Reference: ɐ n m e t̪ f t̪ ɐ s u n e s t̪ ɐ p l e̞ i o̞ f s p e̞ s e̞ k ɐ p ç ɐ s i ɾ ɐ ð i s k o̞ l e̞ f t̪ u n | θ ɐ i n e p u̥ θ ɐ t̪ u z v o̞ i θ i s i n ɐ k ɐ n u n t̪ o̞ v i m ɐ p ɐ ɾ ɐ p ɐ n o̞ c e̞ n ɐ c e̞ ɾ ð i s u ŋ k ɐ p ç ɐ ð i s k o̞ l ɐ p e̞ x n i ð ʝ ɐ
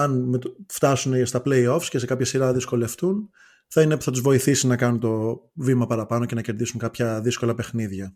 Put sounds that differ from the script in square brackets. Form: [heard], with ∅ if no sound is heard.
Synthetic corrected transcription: ɐ n m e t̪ f t̪ ɐ s u n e s t̪ ɐ p l e̞ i o̞ f s [c] e̞ s e̞ k ɐ p ç ɐ s i ɾ ɐ ð i s k o̞ l e̞ f t̪ u n | θ ɐ i n e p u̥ θ ɐ t̪ u z v o̞ i θ i s i n ɐ k ɐ n u n t̪ o̞ v i m ɐ p ɐ ɾ ɐ p ɐ n o̞ c e̞ n ɐ c e̞ ɾ ð i s u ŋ k ɐ p ç ɐ ð i s k o̞ l ɐ p e̞ x n i ð ʝ ɐ